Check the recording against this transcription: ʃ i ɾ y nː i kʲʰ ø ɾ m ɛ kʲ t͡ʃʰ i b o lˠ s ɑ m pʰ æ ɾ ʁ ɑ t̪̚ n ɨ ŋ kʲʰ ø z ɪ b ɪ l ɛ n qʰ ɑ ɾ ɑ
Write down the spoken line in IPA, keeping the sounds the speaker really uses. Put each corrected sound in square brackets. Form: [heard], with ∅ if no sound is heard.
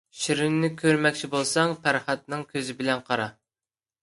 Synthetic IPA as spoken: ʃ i ɾ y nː [ɪ] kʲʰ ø ɾ m ɛ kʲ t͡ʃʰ i b o lˠ s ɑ [ŋ] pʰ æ ɾ [χ] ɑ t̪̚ n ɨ ŋ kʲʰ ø z ɪ b ɪ l ɛ n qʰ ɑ ɾ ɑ